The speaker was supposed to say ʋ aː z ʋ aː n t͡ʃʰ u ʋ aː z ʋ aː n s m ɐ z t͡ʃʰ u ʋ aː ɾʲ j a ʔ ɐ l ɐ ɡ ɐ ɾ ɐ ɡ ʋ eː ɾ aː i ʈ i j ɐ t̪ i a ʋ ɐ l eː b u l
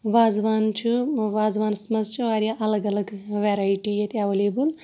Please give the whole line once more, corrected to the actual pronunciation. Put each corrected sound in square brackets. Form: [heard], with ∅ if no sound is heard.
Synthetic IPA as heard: ʋ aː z ʋ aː n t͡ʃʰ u ʋ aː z ʋ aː n s m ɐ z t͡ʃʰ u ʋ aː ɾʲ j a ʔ ɐ l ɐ ɡ ɐ [l] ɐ ɡ ʋ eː ɾ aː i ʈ i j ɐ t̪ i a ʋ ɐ l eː b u l